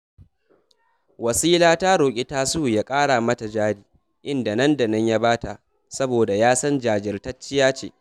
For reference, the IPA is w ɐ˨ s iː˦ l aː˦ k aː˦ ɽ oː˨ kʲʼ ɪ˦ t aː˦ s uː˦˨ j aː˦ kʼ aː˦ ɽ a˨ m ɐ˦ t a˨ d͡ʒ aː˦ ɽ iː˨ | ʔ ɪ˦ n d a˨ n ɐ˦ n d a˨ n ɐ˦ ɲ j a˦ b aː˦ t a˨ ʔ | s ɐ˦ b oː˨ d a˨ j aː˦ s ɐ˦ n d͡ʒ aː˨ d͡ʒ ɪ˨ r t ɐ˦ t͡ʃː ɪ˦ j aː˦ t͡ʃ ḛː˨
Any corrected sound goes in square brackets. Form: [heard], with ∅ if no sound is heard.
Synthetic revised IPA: w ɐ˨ s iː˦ l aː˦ [t] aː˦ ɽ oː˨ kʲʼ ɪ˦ t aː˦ s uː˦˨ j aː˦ kʼ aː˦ ɽ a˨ m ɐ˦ t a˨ d͡ʒ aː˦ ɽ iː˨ | ʔ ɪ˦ n d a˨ n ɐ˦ n d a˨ n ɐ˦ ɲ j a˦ b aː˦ t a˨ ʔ | s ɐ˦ b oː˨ d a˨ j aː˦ s ɐ˦ n d͡ʒ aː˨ d͡ʒ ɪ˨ r t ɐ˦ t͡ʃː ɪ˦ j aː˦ t͡ʃ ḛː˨